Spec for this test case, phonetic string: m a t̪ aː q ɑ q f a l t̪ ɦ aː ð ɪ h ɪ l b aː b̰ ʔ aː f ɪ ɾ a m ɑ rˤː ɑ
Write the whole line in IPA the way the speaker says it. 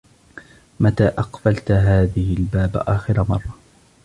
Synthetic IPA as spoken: m a t̪ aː ʔ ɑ q f a l t̪ ɦ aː ð ɪ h ɪ l b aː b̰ ʔ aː x ɪ ɾ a m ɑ rˤː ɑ